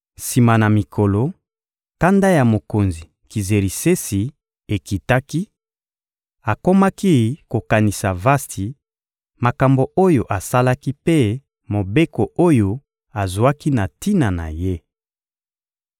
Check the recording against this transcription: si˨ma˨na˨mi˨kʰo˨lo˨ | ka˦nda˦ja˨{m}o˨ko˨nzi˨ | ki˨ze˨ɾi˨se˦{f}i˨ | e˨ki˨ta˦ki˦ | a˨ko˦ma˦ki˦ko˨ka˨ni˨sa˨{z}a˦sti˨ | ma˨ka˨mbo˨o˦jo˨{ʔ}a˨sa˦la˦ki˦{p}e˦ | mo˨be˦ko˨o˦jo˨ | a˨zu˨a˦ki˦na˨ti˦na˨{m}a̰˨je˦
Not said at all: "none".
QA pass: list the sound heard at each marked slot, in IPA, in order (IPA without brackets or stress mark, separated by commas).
m, s, v, ʔ, p, n